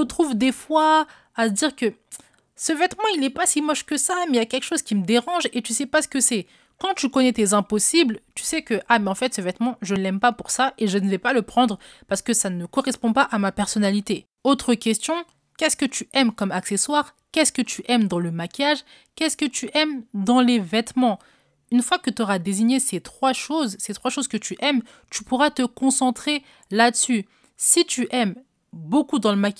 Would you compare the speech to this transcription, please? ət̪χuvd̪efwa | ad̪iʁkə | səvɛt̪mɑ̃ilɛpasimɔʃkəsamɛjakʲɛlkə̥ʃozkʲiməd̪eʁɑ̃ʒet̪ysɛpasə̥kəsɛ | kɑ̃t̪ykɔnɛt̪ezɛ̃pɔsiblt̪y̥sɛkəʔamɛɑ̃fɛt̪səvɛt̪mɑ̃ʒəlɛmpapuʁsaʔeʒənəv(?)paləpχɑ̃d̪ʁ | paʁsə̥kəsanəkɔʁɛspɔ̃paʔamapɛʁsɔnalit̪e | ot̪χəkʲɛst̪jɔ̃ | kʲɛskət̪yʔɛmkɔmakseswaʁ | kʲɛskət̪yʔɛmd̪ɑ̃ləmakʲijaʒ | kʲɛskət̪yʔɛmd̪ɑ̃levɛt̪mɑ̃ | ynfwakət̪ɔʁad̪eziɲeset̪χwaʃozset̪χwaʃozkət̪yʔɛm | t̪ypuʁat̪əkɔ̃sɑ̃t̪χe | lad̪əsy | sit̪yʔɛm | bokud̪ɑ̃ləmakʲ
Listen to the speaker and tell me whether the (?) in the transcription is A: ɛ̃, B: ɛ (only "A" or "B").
B